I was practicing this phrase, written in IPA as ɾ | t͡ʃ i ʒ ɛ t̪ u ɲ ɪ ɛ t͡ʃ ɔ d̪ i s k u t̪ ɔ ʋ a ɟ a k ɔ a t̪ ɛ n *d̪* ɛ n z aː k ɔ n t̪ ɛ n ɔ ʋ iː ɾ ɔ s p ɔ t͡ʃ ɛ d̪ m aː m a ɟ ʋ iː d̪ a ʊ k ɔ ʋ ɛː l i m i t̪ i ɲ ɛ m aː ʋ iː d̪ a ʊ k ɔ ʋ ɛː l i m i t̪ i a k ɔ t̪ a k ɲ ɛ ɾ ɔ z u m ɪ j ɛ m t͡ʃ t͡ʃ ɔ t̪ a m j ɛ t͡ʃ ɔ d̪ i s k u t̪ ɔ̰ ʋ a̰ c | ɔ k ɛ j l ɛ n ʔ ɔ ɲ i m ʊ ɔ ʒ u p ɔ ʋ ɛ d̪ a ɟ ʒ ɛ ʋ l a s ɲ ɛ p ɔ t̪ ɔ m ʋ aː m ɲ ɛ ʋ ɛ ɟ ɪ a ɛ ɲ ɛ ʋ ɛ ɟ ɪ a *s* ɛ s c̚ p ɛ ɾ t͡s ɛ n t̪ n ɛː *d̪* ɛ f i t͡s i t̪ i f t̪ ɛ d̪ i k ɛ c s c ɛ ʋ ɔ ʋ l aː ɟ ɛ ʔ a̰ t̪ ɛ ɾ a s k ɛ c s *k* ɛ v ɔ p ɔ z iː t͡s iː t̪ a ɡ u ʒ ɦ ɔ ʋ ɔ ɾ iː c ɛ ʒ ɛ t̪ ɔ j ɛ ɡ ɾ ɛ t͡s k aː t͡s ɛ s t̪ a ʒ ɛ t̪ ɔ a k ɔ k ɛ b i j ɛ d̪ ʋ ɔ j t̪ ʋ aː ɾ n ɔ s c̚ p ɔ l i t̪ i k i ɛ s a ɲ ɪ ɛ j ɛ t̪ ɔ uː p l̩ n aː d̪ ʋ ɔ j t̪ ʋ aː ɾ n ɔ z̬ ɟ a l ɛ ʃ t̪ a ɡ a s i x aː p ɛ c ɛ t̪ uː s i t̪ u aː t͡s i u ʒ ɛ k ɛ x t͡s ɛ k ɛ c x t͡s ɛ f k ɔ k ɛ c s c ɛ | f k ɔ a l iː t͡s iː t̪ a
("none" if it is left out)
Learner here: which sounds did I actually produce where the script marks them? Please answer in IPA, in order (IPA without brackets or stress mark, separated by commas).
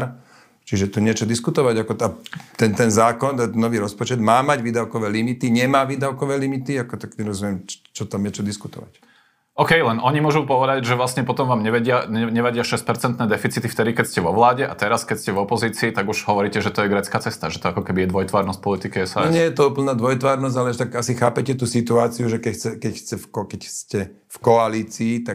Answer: t̪, ʃ, d̪, c